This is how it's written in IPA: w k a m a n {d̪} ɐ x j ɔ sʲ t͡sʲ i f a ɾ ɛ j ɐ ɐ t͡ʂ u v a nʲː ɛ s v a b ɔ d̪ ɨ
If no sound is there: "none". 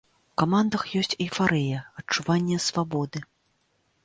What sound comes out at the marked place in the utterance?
d̪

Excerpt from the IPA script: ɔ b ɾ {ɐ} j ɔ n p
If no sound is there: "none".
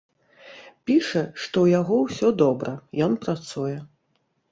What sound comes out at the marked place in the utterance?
ɐ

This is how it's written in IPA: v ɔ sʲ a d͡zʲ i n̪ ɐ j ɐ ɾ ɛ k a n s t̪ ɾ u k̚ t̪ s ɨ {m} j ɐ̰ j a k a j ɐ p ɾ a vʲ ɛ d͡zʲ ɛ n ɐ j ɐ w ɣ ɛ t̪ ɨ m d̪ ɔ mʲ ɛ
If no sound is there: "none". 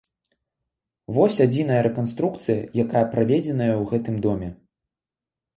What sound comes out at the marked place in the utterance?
none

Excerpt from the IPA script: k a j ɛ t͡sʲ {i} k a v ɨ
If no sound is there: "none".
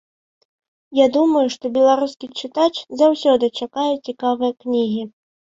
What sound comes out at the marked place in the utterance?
i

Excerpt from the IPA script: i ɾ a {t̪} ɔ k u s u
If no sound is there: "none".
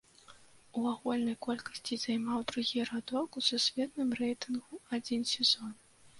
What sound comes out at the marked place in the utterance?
d̪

